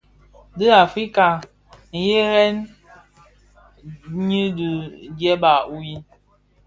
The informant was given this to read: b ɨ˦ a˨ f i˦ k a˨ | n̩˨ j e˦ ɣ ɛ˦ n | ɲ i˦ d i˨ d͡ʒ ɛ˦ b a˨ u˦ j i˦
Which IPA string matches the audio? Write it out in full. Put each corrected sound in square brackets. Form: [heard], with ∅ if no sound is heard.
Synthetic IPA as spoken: [d] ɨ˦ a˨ f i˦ k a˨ | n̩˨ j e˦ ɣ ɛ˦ n | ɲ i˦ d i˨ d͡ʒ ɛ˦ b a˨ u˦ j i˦